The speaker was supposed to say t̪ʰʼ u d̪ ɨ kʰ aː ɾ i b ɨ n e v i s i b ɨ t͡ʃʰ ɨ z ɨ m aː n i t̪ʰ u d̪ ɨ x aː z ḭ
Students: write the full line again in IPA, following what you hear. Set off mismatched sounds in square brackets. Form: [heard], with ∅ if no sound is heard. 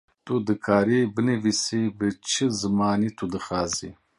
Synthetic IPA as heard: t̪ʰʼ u d̪ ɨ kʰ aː ɾ i b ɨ n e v i s i b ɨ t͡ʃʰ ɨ z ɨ m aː n i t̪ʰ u d̪ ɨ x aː z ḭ